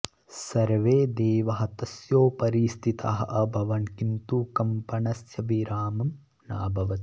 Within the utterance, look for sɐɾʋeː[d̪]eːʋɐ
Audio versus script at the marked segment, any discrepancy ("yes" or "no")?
no